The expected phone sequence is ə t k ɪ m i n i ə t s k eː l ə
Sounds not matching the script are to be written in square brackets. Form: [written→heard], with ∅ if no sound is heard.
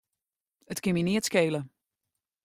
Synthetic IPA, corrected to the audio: ə t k ɪ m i n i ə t s k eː l ə